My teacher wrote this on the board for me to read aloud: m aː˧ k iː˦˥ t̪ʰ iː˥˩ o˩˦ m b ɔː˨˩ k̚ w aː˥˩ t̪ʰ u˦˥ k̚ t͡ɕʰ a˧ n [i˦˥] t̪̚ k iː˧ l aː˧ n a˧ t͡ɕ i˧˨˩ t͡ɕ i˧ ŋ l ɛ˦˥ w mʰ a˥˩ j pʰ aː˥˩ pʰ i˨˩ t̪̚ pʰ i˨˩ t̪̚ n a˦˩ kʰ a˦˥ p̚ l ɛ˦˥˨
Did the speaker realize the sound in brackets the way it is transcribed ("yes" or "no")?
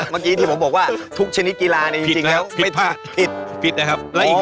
yes